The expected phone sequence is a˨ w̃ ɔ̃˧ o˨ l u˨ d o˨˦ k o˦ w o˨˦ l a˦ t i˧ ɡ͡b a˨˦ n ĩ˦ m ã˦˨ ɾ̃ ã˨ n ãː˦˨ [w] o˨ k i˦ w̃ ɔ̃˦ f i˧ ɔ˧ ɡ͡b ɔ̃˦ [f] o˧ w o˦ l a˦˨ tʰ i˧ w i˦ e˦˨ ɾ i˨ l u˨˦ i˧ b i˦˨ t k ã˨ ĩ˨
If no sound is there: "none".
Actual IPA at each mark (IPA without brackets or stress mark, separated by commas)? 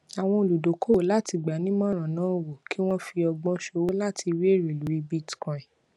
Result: w, ʃ